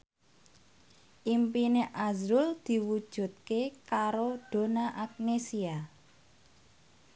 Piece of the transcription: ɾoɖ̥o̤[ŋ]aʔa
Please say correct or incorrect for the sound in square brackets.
incorrect